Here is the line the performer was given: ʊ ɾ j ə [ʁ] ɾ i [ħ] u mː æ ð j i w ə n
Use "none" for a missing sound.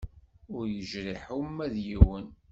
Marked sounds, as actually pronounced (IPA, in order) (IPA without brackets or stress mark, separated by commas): ʒ, ħ